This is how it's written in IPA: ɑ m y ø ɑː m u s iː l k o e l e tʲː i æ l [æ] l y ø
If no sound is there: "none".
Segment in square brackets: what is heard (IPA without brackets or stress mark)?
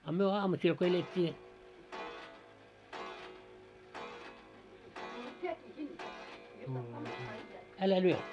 æ